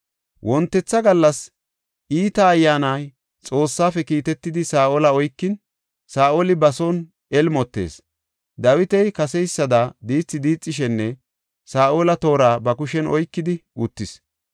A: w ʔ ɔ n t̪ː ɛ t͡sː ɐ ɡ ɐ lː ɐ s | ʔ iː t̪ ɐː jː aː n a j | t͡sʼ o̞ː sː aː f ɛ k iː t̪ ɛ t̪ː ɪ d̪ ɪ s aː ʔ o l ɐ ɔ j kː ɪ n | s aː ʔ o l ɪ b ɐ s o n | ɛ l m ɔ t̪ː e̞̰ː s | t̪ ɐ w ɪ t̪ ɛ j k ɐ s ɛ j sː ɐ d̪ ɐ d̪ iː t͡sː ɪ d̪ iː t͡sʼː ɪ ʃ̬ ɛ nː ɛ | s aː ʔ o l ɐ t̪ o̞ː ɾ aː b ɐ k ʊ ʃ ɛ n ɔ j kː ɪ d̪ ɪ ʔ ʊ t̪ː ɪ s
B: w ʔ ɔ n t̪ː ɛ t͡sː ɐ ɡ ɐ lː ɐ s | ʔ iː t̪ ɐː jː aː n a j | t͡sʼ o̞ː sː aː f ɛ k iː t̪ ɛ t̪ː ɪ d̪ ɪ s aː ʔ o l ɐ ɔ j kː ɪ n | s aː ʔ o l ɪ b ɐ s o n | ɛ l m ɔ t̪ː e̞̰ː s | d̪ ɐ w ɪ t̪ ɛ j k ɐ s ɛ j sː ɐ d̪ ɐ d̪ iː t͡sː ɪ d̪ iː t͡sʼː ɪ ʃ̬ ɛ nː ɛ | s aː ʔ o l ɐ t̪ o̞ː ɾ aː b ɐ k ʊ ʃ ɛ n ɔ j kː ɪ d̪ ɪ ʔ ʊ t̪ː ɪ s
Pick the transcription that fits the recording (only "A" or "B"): B